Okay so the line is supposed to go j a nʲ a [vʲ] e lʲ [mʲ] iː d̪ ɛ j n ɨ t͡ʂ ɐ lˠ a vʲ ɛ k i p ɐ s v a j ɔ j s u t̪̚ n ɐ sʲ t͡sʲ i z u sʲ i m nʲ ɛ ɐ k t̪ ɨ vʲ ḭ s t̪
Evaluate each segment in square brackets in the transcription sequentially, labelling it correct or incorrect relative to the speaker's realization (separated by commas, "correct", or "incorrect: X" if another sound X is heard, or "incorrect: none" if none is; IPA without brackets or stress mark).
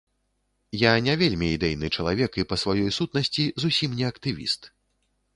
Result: correct, correct